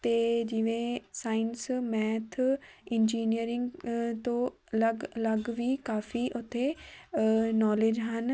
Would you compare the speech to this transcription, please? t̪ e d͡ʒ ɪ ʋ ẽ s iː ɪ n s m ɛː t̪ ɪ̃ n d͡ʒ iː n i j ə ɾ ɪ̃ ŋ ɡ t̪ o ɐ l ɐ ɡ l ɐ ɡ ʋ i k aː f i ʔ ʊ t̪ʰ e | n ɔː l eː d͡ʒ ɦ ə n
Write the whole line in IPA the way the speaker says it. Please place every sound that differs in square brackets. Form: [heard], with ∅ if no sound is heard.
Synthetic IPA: t̪ e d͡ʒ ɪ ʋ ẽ s [aː] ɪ n s m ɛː [t̪ʰ] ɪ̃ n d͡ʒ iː n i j ə ɾ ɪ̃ ŋ ɡ t̪ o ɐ l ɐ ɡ l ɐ ɡ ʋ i k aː f i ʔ ʊ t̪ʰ e | n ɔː l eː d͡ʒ ɦ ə n